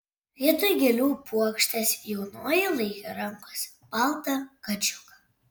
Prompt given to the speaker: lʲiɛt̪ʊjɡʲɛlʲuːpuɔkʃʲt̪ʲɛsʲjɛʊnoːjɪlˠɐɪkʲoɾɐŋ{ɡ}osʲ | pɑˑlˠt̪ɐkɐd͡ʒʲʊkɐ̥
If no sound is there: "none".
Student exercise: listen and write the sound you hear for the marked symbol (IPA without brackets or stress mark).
k